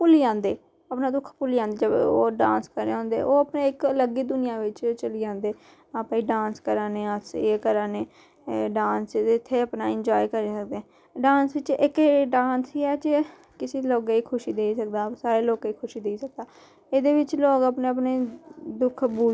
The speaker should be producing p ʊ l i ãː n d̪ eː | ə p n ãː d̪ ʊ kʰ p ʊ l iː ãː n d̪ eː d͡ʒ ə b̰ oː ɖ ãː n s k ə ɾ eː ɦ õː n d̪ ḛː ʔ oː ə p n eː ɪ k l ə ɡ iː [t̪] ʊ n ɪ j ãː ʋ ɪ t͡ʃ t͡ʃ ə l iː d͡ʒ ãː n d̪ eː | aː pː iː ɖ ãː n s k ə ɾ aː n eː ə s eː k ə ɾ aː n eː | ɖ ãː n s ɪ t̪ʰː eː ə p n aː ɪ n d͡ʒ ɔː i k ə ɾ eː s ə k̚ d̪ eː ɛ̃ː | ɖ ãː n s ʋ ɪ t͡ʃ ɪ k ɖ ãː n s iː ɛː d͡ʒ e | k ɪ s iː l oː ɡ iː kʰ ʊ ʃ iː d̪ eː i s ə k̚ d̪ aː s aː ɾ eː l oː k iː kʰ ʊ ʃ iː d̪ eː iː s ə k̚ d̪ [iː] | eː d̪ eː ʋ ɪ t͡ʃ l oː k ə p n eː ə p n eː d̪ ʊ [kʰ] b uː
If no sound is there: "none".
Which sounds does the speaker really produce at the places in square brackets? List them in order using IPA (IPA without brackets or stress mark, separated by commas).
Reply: d̪, aː, kʰ